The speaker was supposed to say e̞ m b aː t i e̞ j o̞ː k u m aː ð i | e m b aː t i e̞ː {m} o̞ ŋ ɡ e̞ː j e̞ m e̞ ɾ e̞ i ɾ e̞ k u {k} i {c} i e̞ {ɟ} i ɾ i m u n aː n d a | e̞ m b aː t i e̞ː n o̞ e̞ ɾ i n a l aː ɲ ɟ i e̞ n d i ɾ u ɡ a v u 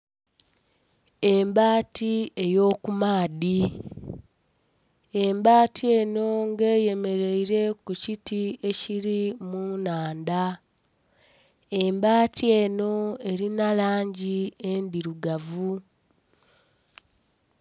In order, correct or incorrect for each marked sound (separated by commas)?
incorrect, incorrect, incorrect, incorrect